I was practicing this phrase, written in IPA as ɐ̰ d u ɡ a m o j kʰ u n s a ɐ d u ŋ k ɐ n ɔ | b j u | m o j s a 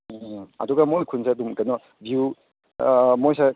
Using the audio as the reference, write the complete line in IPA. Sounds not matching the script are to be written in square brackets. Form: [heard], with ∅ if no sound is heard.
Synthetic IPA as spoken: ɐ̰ d u ɡ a m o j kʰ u n s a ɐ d u [m] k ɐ n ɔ | b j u | m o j s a